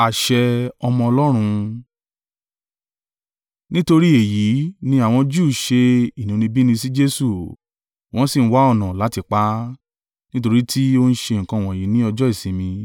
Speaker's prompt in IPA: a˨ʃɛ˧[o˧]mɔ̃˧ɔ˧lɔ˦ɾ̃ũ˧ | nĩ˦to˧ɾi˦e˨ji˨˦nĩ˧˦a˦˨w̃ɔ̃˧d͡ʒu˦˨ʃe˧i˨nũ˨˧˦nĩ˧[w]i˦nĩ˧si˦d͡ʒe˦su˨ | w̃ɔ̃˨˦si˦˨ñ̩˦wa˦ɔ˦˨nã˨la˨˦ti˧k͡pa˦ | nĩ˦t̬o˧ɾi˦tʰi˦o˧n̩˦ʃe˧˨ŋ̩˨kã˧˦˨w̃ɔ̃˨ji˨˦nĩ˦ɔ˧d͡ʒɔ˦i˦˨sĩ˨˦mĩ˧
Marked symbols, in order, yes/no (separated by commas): no, no